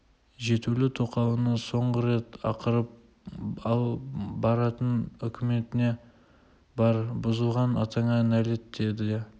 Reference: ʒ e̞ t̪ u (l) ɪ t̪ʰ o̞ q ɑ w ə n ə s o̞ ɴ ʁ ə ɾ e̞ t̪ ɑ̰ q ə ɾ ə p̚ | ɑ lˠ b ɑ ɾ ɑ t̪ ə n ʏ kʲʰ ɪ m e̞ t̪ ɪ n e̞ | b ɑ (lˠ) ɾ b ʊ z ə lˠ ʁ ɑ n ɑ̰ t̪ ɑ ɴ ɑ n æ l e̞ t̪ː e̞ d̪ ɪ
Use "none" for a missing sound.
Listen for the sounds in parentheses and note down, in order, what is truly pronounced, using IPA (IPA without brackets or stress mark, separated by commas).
l, none